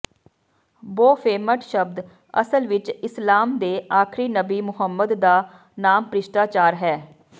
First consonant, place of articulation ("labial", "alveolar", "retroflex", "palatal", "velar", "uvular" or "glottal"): labial